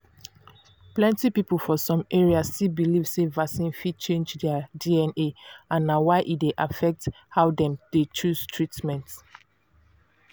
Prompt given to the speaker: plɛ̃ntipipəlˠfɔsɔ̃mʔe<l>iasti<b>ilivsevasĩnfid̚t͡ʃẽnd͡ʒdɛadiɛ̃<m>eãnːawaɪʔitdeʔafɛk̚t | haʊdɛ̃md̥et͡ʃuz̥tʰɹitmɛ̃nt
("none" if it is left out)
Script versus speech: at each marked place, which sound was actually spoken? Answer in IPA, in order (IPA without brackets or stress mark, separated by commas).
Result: ɹ, b, n